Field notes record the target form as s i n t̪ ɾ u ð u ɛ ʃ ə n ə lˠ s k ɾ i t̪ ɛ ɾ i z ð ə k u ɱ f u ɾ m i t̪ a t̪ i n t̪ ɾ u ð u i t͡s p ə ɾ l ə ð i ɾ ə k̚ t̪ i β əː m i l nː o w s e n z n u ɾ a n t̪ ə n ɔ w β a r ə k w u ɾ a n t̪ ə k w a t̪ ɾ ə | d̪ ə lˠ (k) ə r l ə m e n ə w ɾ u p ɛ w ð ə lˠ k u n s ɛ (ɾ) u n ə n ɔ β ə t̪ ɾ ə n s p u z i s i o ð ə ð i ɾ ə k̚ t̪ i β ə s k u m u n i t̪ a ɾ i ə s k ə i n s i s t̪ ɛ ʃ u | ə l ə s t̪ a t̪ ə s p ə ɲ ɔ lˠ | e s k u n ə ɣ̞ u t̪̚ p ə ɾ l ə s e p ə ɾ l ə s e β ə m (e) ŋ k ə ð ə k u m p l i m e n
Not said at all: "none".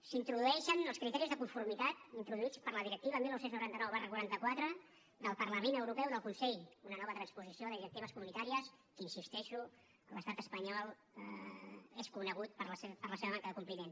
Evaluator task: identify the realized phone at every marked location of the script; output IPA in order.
p, ʎ, a

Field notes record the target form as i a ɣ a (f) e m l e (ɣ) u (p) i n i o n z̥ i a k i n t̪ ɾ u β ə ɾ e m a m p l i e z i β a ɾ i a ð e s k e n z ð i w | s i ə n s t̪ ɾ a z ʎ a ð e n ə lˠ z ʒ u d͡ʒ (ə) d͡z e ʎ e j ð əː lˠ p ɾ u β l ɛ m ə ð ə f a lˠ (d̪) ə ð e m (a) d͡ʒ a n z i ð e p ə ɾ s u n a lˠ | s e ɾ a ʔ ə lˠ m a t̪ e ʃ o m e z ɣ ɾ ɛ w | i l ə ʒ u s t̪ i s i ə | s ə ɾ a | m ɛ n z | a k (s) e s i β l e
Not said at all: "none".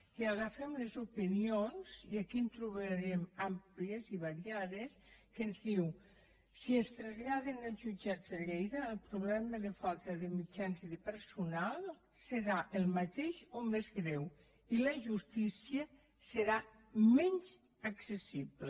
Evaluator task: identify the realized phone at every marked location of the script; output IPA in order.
f, z, p, a, t̪, i, s

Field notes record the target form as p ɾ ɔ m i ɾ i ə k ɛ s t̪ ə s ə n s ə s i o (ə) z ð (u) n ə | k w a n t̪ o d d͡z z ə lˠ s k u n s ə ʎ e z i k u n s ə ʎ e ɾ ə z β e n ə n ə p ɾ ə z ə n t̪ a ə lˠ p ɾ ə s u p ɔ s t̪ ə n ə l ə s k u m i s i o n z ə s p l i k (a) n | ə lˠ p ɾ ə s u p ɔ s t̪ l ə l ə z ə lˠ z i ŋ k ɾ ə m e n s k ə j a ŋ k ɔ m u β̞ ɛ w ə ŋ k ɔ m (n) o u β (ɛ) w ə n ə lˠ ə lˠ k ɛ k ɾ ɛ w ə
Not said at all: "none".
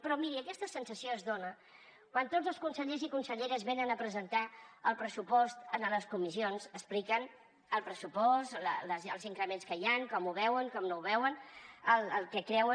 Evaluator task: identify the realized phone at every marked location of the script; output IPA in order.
ə, o, ə, n, ɛ

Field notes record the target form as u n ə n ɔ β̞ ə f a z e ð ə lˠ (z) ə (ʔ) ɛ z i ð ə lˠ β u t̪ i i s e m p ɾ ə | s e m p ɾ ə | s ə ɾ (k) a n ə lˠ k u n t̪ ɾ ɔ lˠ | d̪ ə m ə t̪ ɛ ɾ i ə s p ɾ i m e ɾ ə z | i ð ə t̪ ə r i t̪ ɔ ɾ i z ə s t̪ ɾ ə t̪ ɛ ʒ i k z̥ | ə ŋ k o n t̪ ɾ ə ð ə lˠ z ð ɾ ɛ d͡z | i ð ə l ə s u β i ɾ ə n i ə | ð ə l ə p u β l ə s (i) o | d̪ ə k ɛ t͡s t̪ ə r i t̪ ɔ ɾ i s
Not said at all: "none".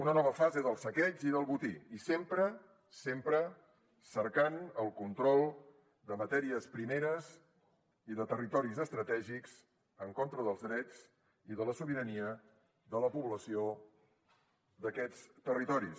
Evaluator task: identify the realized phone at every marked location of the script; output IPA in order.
s, k, k, i

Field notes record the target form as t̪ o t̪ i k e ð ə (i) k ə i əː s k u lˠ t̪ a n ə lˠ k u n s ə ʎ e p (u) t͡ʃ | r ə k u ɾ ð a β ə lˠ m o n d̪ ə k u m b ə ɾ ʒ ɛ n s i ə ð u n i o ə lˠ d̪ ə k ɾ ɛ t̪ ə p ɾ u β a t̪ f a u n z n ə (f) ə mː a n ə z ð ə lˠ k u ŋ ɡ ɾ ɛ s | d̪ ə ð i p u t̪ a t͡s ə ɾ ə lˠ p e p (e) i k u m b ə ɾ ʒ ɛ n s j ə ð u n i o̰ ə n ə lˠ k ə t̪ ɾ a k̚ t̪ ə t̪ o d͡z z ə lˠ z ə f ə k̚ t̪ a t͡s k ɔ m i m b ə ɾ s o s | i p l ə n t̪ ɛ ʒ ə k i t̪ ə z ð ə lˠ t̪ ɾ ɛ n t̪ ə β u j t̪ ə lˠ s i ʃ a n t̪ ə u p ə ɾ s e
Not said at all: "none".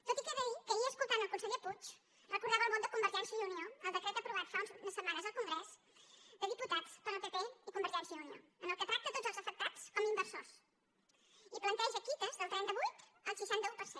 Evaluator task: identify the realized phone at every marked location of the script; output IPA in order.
i, u, s, e

